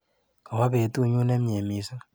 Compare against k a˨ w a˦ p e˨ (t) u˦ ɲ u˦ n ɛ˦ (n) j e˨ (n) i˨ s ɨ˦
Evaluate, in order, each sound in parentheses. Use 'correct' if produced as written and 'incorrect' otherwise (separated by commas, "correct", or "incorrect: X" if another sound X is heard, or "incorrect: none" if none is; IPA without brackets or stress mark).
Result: correct, incorrect: m, incorrect: m